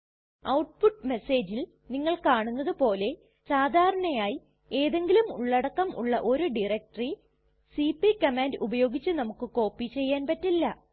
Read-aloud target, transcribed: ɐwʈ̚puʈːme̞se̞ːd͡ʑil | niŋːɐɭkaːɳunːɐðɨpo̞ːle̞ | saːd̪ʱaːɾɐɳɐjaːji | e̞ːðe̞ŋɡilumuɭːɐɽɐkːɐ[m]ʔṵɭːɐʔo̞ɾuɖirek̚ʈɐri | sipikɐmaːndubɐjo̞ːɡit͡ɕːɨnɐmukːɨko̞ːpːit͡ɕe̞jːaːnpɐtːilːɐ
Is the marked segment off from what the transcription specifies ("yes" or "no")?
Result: no